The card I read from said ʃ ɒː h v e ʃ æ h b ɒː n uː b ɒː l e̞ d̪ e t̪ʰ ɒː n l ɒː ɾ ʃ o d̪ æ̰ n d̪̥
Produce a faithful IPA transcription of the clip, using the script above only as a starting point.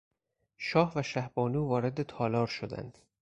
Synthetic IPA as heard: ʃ ɒː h v æ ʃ æ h b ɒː n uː v ɒː ɾ e̞ d̪ e t̪ʰ ɒː l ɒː ɾ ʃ o d̪ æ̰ n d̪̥

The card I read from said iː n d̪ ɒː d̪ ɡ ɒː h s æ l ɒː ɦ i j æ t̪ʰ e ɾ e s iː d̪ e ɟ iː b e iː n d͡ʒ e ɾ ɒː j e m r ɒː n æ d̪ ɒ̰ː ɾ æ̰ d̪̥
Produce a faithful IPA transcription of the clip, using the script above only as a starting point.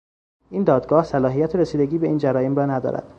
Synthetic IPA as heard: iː n d̪ ɒː d̪ ɡ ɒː h s æ l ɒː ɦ i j æ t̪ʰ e ɾ e s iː d̪ e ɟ iː b e iː n d͡ʒ æ ɾ ɒː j e m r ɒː n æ d̪ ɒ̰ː ɾ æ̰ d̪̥

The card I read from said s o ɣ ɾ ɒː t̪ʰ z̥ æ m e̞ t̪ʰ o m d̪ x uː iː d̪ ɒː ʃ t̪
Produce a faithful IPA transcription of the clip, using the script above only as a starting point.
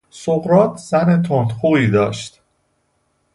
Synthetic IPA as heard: s o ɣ ɾ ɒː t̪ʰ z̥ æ n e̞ t̪ʰ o n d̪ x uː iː d̪ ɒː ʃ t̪

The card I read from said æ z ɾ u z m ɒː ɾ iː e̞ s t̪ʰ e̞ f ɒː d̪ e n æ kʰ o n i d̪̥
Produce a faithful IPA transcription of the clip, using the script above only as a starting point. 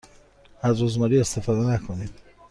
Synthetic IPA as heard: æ z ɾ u z m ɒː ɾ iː e̞ s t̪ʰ e̞ f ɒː d̪ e n æ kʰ o n i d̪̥

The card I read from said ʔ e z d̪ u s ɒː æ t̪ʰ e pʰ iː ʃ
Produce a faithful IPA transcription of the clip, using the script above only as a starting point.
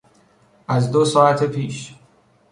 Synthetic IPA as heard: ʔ æ z d̪ o s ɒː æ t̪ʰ e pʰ iː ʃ

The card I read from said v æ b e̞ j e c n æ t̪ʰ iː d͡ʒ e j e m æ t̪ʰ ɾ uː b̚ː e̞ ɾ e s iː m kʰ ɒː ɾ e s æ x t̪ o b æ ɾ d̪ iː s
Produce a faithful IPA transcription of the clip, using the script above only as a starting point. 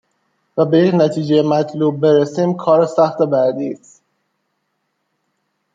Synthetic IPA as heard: v æ b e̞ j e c n æ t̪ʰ iː d͡ʒ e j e m æ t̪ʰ l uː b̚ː e̞ ɾ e s iː m kʰ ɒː ɾ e s æ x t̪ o b æ ɾ d̪ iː s

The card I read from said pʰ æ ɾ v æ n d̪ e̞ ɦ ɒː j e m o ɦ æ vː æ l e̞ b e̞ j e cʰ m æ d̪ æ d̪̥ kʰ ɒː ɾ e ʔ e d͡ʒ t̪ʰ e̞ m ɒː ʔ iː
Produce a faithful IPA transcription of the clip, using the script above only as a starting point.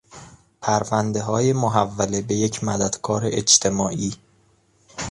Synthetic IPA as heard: pʰ æ ɾ v æ n d̪ e̞ ɦ ɒː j e m o ɦ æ vː æ l e̞ b e̞ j e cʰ m æ d̪ æ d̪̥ kʰ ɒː ɾ e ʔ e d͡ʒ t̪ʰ e̞ m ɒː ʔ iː

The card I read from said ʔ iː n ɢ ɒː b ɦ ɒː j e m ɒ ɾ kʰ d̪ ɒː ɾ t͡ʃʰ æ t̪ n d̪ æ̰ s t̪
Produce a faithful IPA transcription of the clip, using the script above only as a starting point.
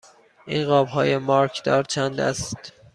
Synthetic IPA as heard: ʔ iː n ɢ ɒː b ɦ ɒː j e m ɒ ɾ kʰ d̪ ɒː ɾ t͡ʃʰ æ n d̪ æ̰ s t̪

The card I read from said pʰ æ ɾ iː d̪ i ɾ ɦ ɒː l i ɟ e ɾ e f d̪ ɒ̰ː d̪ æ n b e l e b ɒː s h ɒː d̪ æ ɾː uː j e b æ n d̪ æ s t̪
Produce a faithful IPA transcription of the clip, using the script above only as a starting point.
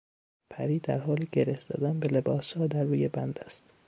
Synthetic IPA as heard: pʰ æ ɾ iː d̪ æ ɾ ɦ ɒː l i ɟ e ɾ e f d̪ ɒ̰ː d̪ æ n b e l e b ɒː s h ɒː d̪ æ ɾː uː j e b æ n d̪ æ s t̪

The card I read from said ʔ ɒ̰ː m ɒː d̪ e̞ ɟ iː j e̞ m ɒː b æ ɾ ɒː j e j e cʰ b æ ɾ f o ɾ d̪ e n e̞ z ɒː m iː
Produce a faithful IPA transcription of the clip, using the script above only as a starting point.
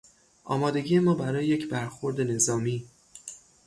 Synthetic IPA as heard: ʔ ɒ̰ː m ɒː d̪ e̞ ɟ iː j e̞ m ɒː b æ ɾ ɒː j e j e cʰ b æ ɾ x o ɾ d̪ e n e̞ z ɒː m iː

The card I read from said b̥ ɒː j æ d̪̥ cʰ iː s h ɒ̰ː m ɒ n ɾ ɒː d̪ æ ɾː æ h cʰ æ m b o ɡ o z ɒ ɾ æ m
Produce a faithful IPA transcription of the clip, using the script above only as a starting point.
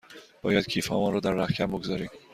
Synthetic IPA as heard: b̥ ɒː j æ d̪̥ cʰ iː f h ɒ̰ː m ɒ n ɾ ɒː d̪ æ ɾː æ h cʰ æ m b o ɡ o z ɒ ɾ i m

